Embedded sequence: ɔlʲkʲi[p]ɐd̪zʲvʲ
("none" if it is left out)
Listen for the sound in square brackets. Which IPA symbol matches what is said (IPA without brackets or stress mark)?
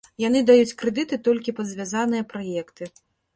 p